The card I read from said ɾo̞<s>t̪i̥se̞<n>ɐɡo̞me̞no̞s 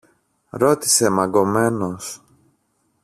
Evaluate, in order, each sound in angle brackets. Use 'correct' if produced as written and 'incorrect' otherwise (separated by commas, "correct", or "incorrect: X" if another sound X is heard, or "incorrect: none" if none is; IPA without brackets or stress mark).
incorrect: none, incorrect: m